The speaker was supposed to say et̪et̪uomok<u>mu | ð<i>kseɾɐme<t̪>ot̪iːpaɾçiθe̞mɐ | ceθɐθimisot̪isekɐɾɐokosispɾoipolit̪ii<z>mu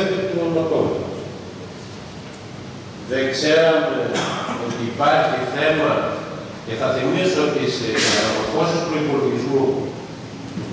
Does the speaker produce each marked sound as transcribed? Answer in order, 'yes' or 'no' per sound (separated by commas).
no, no, no, yes